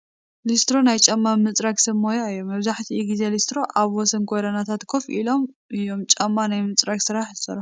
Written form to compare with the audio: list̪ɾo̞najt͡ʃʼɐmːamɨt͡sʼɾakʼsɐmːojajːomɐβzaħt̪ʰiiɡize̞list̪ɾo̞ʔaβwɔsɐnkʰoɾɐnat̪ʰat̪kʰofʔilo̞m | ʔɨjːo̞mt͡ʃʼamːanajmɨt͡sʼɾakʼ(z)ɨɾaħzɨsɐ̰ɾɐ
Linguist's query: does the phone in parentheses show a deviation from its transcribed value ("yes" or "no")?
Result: yes